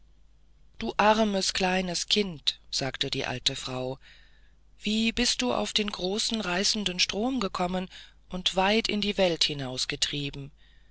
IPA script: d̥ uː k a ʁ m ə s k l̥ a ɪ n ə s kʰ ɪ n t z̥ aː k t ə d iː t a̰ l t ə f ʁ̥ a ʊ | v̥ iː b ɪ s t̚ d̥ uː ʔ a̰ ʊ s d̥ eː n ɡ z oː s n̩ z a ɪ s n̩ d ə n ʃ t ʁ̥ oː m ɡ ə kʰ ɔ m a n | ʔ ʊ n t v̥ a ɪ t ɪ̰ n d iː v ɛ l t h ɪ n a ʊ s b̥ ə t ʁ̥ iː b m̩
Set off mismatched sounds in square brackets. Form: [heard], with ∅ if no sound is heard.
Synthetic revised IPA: d̥ uː [ʔ] a ʁ m ə s k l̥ a ɪ n ə s kʰ ɪ n t z̥ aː k t ə d iː [ʔ] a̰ l t ə f ʁ̥ a ʊ | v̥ iː b ɪ s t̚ d̥ uː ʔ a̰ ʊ [f] d̥ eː n ɡ [ʁ] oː s n̩ [ʁ] a ɪ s n̩ d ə n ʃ t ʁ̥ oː m ɡ ə kʰ ɔ m [ə] n | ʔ ʊ n t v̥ a ɪ t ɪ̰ n d iː v ɛ l t h ɪ n a ʊ s [ɡ̥] ə t ʁ̥ iː b m̩